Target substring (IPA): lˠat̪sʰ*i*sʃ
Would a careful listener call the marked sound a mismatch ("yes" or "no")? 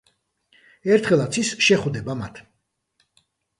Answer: no